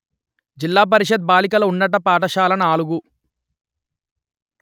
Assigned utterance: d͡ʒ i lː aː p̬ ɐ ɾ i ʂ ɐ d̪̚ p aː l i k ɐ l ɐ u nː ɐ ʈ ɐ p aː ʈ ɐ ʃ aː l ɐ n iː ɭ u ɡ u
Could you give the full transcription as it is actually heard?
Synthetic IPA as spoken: d͡ʒ i lː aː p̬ ɐ ɾ i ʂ ɐ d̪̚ b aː l i k ɐ l ɐ u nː ɐ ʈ ɐ p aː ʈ ɐ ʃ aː l ɐ n aː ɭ u ɡ u